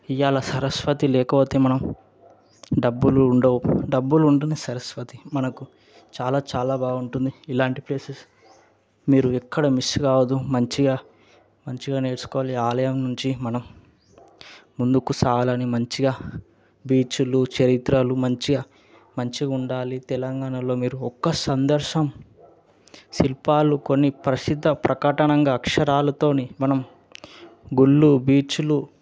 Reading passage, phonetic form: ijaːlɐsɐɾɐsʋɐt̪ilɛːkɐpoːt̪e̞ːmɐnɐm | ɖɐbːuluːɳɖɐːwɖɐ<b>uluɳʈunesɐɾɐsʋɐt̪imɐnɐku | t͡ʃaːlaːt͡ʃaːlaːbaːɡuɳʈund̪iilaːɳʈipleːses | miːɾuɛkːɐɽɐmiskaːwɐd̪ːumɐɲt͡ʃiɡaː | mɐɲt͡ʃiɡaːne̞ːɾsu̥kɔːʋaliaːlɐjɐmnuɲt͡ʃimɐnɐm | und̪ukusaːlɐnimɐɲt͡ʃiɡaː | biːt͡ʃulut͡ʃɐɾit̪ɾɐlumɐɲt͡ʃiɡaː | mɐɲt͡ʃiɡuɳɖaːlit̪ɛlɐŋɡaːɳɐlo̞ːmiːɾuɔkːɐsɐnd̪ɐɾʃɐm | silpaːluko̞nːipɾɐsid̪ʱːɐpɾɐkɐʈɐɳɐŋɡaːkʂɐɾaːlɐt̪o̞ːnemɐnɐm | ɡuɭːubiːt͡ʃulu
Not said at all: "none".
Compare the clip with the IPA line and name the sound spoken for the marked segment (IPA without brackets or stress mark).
bː